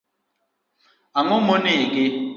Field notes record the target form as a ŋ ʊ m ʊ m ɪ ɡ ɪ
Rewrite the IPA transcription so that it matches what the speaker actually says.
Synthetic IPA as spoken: a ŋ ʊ m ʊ n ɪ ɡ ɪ